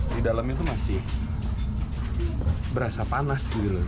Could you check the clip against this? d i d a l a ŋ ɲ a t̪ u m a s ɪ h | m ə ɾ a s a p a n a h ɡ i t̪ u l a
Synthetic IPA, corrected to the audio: d i d a l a m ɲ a t̪ u m a s ɪ h | b ə ɾ a s a p a n a s ɡ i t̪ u l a